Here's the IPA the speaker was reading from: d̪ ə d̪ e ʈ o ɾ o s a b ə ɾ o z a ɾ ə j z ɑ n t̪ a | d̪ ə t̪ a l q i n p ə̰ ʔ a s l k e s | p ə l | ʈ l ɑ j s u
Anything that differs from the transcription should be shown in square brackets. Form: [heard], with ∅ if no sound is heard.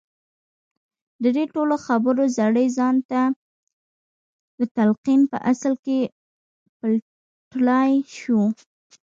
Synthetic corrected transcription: d̪ ə d̪ e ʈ o [l] o [x] a b ə ɾ o z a [ɽ] ə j z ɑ n t̪ a | d̪ ə t̪ a l q i n p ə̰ ʔ a s l k e [∅] | p ə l | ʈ l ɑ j [ʃ] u